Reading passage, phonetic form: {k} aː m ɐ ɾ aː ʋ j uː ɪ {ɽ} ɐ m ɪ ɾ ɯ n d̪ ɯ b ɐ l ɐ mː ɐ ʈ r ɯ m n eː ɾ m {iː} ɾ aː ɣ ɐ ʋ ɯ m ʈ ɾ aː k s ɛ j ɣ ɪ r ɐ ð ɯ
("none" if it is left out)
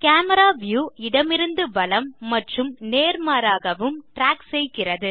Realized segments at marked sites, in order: k, ɽ, aː

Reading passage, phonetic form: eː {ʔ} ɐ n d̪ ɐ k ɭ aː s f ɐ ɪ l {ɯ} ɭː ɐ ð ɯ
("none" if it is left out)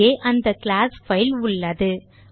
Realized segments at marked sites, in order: ʔ, ʊ

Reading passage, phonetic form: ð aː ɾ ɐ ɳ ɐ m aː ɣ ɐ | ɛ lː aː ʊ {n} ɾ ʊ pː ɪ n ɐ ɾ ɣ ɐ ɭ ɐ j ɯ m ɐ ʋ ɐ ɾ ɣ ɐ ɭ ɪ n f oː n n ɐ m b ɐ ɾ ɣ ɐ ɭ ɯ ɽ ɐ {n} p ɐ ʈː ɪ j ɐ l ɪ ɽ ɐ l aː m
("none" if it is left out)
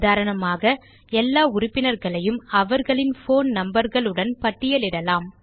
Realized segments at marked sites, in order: none, n

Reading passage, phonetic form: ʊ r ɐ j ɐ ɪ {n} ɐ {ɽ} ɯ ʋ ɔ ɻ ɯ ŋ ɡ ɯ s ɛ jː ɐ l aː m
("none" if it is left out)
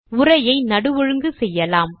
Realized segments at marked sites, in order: n, ɽ

